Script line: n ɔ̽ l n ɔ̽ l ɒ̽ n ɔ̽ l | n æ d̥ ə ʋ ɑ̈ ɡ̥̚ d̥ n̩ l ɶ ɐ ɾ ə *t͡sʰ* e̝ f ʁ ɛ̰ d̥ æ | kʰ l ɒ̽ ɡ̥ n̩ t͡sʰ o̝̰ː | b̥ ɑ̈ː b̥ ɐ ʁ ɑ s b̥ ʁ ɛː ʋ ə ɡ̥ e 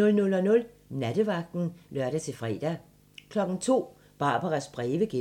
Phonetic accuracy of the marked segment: correct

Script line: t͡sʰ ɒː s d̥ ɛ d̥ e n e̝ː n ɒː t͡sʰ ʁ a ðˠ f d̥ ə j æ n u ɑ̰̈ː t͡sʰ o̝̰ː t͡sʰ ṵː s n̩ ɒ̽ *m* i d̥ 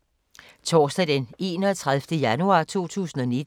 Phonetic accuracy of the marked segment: incorrect: n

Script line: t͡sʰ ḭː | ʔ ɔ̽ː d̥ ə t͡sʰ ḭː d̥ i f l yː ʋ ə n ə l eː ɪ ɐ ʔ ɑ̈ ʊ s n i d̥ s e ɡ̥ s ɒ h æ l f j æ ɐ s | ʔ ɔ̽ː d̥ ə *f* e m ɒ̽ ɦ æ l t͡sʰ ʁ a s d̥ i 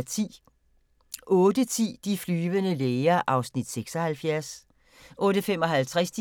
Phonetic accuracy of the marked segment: correct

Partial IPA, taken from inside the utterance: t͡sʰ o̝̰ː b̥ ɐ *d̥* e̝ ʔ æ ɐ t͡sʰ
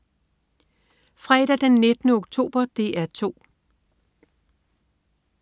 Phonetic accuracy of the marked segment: correct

